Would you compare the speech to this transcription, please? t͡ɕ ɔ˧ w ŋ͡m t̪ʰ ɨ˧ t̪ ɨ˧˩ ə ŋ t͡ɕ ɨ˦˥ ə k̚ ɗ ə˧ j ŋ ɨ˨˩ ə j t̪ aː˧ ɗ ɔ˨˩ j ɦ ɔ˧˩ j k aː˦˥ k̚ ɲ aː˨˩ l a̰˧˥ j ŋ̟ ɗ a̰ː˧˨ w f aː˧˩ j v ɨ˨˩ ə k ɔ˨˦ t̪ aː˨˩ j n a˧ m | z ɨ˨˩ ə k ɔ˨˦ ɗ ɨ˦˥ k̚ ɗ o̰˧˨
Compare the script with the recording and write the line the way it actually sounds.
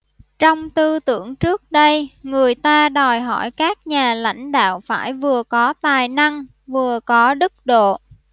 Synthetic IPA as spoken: t͡ɕ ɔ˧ w ŋ͡m t̪ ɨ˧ t̪ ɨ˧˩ ə ŋ t͡ɕ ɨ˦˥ ə k̚ ɗ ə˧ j ŋ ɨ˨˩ ə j t̪ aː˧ ɗ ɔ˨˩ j ɦ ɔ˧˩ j k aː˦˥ k̚ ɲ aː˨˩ l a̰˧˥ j ŋ̟ ɗ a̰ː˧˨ w f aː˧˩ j v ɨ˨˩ ə k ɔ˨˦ t̪ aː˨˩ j n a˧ ŋ | v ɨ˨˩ ə k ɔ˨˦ ɗ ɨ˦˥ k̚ ɗ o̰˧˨